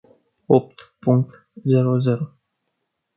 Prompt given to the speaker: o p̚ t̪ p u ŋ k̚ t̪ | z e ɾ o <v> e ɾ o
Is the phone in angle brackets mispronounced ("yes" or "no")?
yes